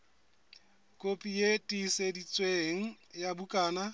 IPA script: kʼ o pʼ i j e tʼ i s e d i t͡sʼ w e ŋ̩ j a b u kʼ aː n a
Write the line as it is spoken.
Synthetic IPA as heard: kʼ o pʼ i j e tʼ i s e d i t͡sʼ w e ŋ̩ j a b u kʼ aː n a